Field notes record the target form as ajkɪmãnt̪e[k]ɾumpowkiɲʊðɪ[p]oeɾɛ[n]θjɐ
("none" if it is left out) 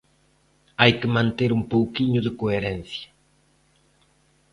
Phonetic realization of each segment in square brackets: none, k, n

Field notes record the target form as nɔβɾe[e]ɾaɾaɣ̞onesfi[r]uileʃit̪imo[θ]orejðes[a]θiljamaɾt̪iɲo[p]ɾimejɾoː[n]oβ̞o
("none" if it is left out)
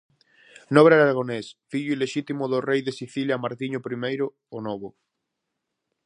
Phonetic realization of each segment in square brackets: a, ʎ, ð, i, p, n

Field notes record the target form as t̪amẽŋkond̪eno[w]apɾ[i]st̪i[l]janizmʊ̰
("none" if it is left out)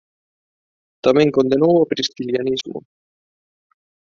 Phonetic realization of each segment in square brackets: w, i, l

